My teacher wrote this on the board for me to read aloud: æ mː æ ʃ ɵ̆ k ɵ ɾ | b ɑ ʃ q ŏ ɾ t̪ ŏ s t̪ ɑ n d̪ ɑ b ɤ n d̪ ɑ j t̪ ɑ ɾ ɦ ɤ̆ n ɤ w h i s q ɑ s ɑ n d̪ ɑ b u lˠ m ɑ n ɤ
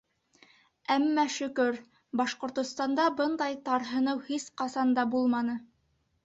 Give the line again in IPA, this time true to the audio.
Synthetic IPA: æ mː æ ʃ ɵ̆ k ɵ ɾ | b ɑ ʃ q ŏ ɾ t̪ ŏ s t̪ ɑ n d̪ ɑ b ɤ n d̪ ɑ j t̪ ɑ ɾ ɦ ɤ̆ n ɤ w h i s q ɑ s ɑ n d̪ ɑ b u lˠ m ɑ n ɤ